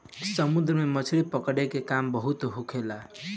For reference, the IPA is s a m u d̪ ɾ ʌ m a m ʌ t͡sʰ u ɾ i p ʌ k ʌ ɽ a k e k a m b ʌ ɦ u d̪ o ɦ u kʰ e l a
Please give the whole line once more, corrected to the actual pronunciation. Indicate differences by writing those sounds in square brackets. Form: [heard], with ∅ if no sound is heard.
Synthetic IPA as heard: s [ʌ] m u d̪ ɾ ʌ m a m ʌ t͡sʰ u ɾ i p ʌ k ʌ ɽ [e] k e k a m b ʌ ɦ u [t̪] o ɦ u kʰ e l a